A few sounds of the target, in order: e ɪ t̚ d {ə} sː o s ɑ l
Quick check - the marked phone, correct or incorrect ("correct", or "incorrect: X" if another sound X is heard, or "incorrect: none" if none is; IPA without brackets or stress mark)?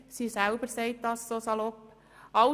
incorrect: ɑ